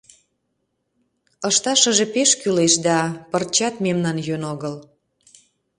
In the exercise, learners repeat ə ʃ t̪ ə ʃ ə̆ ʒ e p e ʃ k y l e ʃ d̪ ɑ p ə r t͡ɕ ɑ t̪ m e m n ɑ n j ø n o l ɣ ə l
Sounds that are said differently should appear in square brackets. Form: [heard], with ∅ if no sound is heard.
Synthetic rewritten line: ə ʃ t̪ [ɑ] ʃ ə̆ ʒ e p e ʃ k y l e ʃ d̪ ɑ p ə r t͡ɕ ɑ t̪ m e m n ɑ n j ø n o [∅] ɣ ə l